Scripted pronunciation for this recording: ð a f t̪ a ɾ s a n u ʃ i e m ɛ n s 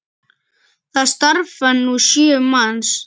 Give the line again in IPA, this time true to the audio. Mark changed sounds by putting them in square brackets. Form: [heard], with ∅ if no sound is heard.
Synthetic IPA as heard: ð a [s] t̪ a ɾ [f] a n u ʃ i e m [a] n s